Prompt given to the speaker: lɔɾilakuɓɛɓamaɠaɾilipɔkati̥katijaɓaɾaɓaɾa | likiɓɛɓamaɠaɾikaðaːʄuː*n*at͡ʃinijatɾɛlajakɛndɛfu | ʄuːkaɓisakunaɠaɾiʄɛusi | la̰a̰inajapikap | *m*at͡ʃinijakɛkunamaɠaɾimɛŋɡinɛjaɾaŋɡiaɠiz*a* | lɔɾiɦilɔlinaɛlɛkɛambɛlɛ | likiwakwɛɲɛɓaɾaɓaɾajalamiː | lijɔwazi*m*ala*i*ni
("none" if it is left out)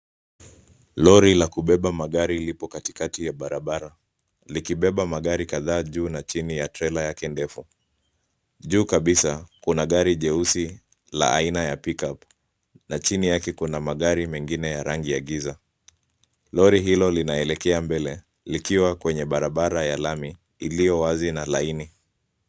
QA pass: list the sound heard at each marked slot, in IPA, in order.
n, n, a, n, i

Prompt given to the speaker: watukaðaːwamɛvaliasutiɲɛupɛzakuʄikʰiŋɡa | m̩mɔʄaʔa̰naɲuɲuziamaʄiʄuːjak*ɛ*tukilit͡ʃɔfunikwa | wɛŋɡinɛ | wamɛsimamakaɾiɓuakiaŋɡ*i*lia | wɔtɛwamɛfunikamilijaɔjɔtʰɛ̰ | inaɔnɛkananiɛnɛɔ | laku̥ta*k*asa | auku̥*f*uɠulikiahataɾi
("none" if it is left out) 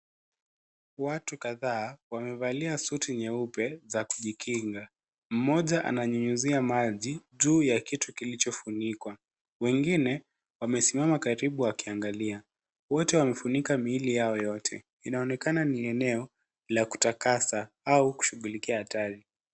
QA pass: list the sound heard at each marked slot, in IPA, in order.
i, a, k, ʃ

